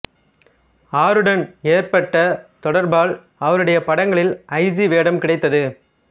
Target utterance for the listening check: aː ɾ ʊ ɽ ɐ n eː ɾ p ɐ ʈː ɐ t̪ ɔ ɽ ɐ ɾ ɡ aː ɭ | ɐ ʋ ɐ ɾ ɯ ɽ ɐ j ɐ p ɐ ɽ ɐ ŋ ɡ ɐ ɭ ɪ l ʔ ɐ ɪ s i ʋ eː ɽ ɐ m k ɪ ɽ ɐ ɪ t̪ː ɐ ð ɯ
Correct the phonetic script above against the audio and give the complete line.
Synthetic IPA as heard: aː ɾ ɯ ɽ ɐ n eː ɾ p ɐ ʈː ɐ t̪ ɔ ɽ ɐ ɾ b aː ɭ | ɐ ʋ ɐ ɾ ɯ ɽ ɐ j ɐ p ɐ ɽ ɐ ŋ ɡ ɐ ɭ ɪ l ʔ ɐ ɪ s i ʋ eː ɽ ɐ m k ɪ ɽ ɐ ɪ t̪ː ɐ ð ɯ

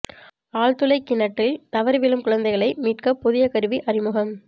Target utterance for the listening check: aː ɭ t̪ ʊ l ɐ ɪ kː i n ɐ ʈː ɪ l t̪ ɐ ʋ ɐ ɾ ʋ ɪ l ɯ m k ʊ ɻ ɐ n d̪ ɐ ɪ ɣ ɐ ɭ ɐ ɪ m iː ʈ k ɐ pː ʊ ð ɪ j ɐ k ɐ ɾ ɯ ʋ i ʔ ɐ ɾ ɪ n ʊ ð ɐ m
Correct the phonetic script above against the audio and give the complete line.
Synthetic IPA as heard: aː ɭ t̪ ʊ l ɐ ɪ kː ɪ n ɐ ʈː ɪ l t̪ ɐ ʋ ɐ ɾ ʋ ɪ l ɯ m k ʊ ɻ ɐ n d̪ ɐ ɪ ɣ ɐ ɭ ɐ ɪ m iː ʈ k ɐ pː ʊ ð ɪ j ɐ k ɐ ɾ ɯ ʋ i ʔ ɐ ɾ ɪ m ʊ ɣ ɐ m

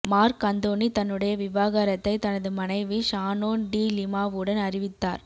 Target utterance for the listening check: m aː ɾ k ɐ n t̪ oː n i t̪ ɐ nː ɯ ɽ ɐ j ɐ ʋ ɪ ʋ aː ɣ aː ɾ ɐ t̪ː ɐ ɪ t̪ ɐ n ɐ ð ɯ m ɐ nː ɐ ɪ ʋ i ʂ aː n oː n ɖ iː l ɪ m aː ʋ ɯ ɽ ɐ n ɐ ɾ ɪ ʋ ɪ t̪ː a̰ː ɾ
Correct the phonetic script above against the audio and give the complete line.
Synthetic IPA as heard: m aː ɾ k ɐ n d̪ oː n i t̪ ɐ nː ɯ ɽ ɐ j ɐ ʋ ɪ ʋ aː ɣ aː ɾ ɐ t̪ː ɐ ɪ t̪ ɐ n ɐ ð ɯ m ɐ n ɐ ɪ ʋ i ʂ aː n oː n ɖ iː l ɪ m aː ʋ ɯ ɽ ɐ n ɐ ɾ ɪ ʋ ɪ t̪ː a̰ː ɾ

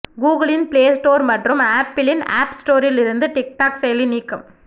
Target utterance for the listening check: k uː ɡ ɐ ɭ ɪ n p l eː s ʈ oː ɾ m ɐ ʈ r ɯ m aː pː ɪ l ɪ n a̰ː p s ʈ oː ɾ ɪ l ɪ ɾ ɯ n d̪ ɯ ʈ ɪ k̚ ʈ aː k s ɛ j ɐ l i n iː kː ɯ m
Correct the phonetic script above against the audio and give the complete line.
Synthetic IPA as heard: ɡ uː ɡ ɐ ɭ ɪ n p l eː s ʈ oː ɾ m ɐ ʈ r ɯ m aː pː ɪ l ɪ n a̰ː p s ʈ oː ɾ ɪ l ɪ ɾ ɯ n d̪ ɯ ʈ ɪ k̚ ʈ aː k s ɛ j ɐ l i n iː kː ɯ m

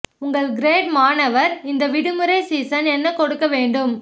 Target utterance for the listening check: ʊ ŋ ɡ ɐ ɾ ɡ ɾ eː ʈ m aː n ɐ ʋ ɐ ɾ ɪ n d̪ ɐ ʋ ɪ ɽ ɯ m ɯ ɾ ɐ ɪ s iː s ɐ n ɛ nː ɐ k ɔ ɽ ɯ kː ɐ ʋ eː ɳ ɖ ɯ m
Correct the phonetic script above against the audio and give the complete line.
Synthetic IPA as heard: ʊ ŋ ɡ ɐ ɭ ɡ ɾ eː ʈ m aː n ɐ ʋ ɐ ɾ ɪ n d̪ ɐ ʋ ɪ ɽ ɯ m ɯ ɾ ɐ ɪ s iː s ɐ n ɛ nː ɐ k ɔ ɽ ɯ kː ɐ ʋ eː ɳ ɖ ɯ m

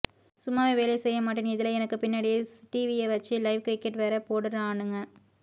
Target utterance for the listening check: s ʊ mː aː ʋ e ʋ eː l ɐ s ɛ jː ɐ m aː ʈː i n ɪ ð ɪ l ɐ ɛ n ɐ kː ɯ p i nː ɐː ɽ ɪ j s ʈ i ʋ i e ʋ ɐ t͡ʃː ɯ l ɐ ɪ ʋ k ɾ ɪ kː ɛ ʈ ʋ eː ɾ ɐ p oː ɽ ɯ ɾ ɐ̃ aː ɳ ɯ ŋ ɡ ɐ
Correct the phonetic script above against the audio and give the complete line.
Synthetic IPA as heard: s ʊ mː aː ʋ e ʋ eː l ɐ s ɛ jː ɐ m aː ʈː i n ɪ ð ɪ l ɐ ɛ n ɐ kː ɯ p ɪ nː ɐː ɽ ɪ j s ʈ i ʋ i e ʋ ɐ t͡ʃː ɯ l ɐ ɪ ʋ k ɾ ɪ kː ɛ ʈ ʋ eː ɾ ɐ p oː ɽ ɯ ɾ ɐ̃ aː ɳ ɯ ŋ ɡ ɐ

